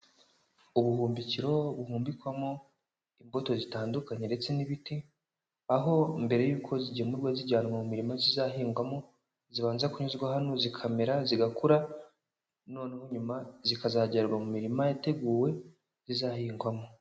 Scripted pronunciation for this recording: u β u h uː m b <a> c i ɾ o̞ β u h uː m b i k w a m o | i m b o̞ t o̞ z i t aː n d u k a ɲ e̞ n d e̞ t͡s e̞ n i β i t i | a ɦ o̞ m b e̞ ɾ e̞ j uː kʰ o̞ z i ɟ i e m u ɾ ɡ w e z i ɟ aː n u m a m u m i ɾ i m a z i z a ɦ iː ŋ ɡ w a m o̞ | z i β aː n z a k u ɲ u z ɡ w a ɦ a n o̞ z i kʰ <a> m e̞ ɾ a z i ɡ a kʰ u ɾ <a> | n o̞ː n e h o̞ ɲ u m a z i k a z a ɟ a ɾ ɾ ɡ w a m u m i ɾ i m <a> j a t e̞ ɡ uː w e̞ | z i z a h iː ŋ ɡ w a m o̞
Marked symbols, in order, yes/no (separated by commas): no, yes, yes, yes